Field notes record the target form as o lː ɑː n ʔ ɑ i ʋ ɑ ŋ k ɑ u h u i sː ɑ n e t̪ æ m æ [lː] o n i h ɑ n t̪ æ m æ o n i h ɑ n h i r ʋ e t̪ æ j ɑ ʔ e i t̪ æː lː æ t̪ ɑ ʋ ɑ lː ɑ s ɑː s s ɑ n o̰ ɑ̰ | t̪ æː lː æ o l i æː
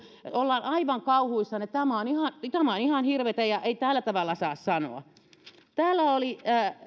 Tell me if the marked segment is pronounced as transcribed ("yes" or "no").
no